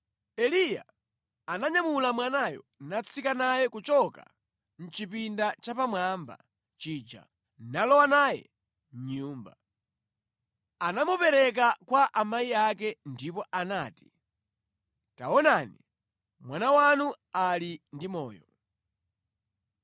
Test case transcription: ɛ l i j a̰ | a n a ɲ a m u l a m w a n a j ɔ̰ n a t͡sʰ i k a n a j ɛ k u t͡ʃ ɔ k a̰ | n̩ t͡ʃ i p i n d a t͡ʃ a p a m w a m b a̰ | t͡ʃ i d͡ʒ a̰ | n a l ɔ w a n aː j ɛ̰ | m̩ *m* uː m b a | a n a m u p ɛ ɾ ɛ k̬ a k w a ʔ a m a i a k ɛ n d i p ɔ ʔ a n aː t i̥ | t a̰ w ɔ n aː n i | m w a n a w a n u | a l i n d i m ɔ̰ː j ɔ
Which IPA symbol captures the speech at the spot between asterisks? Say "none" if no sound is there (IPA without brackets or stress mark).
ɲ